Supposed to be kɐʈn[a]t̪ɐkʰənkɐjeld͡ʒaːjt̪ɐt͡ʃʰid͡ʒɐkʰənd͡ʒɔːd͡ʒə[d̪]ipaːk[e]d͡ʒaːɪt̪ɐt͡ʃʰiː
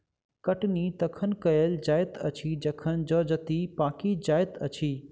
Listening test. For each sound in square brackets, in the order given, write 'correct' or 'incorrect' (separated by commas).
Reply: incorrect, incorrect, incorrect